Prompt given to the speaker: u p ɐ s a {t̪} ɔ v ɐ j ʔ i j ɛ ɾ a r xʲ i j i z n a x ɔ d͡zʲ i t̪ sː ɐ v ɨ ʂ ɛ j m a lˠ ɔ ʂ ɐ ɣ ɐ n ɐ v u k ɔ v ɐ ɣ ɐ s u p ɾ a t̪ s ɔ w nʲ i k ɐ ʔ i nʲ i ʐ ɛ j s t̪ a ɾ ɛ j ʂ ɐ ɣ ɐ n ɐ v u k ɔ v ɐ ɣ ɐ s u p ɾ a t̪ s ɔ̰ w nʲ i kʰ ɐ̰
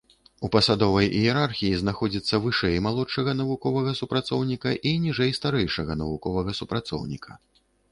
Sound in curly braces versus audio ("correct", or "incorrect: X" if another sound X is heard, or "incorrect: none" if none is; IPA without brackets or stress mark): incorrect: d̪